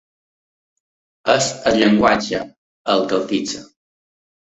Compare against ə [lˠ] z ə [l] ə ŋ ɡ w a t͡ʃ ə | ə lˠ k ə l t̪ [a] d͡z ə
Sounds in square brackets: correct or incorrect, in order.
incorrect, incorrect, incorrect

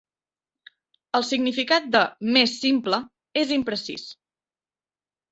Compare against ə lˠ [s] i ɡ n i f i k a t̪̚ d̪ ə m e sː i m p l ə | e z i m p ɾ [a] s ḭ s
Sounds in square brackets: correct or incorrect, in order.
correct, incorrect

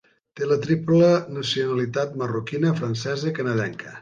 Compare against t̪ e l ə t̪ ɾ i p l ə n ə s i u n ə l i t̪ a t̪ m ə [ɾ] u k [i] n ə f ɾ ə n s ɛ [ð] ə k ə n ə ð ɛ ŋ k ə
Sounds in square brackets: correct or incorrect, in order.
incorrect, correct, incorrect

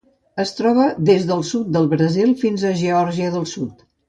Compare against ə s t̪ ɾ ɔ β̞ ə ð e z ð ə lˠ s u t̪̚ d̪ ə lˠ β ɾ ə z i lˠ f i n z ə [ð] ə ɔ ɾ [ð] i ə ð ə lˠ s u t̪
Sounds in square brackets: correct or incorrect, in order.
incorrect, incorrect

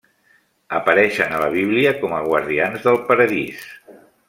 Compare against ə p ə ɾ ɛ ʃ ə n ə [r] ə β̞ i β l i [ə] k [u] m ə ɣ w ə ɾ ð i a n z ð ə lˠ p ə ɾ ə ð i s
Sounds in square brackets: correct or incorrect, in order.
incorrect, correct, incorrect

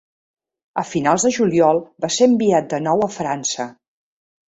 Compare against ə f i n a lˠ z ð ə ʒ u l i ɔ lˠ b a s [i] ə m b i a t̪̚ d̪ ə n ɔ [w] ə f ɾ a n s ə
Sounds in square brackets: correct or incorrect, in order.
incorrect, correct

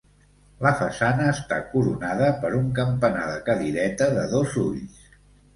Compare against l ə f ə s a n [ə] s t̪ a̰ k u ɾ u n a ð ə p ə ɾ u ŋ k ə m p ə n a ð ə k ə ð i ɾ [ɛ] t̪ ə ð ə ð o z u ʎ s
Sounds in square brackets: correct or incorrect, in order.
incorrect, correct

